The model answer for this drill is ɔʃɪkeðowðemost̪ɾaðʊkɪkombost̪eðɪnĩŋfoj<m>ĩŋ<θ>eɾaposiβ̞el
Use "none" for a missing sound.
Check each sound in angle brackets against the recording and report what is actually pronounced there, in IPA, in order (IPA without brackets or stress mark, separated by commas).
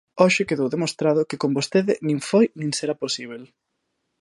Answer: n, s